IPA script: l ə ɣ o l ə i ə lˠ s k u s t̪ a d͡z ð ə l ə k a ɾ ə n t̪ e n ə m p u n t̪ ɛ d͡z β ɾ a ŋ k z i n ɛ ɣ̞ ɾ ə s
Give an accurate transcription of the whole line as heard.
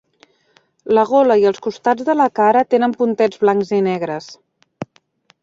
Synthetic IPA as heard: l ə ɣ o l ə i ə lˠ s k u s t̪ a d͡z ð ə l ə k a ɾ ə t̪ e n ə m p u n t̪ ɛ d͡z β l a ŋ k z i n ɛ ɣ̞ ɾ ə s